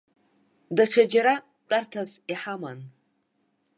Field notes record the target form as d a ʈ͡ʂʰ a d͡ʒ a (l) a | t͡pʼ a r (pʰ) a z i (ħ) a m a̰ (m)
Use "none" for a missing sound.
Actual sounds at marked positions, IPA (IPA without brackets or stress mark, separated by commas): ɾ, tʰ, ħ, n